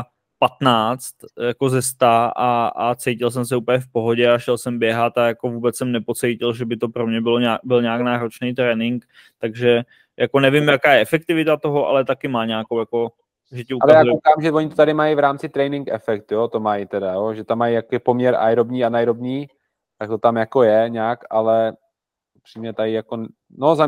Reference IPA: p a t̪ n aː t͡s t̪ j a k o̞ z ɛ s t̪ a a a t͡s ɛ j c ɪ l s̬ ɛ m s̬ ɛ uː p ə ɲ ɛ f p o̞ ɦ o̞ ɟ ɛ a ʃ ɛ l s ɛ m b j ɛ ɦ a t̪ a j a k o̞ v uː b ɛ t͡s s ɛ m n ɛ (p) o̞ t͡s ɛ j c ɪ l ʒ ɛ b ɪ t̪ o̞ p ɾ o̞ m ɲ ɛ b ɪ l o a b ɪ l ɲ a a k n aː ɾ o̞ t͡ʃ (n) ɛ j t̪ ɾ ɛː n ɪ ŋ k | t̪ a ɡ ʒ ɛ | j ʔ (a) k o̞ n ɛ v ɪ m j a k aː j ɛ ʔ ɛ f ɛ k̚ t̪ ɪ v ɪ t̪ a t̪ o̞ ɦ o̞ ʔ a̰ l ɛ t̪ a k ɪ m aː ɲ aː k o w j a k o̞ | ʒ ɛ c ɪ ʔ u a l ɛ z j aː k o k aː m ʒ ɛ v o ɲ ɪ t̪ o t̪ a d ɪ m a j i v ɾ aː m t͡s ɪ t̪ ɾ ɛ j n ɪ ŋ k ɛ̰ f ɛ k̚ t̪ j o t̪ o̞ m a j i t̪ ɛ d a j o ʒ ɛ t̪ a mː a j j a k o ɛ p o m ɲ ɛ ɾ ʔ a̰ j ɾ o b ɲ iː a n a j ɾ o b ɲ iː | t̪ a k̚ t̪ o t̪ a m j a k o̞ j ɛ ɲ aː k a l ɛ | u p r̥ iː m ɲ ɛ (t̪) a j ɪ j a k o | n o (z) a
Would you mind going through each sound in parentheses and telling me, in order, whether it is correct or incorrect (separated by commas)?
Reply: correct, correct, correct, correct, correct